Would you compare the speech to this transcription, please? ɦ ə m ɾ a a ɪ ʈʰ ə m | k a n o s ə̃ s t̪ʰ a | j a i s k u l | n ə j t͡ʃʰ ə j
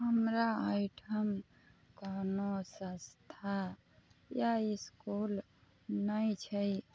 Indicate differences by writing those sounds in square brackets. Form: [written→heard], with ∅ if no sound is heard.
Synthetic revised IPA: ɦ ə m ɾ a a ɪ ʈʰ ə m | k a n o s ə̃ s t̪ʰ a | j a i s k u l | n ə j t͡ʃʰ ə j